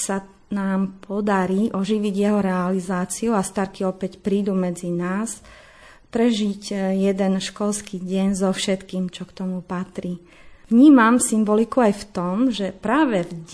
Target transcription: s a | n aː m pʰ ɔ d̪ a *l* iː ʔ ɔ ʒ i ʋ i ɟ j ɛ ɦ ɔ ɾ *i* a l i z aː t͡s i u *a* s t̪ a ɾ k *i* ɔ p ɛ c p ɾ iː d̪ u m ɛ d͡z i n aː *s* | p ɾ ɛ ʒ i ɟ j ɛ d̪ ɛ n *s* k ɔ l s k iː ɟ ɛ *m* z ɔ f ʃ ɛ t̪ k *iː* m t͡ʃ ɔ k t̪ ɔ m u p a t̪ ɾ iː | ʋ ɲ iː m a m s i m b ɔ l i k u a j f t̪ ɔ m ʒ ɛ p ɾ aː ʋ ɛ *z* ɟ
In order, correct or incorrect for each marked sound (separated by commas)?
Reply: incorrect, incorrect, correct, correct, correct, incorrect, incorrect, correct, incorrect